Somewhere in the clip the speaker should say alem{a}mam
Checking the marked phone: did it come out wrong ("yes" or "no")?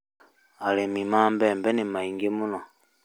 yes